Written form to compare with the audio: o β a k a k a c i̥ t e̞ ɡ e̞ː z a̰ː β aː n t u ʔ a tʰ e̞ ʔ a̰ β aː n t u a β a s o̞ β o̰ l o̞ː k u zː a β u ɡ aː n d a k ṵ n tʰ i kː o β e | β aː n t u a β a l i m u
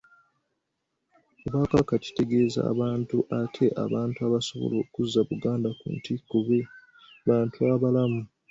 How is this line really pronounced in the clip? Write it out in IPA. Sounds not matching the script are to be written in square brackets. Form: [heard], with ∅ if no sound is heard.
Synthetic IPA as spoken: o β a k a k a c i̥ t e̞ ɡ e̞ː z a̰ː β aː n t u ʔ a tʰ e̞ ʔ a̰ β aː n t u a β a s o̞ β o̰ l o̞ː k u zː a β u ɡ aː n d a k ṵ n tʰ i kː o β e | β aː n t u a β a l [a] m u